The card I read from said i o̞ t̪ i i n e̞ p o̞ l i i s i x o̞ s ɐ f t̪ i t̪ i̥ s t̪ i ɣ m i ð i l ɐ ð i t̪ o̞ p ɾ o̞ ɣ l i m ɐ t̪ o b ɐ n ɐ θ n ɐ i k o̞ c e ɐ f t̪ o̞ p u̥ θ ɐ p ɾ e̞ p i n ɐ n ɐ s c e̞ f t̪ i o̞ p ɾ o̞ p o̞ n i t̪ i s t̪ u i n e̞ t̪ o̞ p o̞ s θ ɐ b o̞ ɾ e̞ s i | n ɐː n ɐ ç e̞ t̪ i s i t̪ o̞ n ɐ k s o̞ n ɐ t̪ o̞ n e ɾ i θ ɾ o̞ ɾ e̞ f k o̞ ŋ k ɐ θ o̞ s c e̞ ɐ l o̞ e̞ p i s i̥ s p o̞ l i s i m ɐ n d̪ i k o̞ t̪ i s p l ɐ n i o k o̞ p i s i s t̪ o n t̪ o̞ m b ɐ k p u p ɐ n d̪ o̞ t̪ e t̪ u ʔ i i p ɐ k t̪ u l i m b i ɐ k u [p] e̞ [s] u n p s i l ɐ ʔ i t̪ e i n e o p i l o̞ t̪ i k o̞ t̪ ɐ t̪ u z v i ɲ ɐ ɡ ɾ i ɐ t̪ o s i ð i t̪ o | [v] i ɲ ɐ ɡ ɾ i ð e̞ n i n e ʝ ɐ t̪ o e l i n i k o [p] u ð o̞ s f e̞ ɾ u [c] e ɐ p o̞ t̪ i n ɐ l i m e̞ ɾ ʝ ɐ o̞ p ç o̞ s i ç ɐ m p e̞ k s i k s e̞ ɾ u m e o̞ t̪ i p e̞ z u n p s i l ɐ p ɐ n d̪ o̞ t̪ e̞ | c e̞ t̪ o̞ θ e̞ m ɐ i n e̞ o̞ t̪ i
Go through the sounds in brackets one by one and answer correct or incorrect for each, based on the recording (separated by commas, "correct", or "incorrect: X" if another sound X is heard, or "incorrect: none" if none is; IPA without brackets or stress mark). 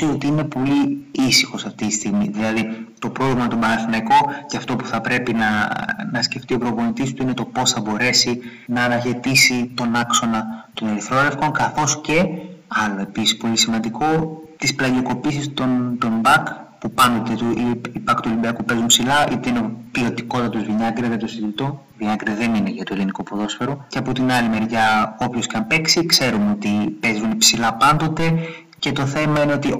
correct, incorrect: z, correct, correct, correct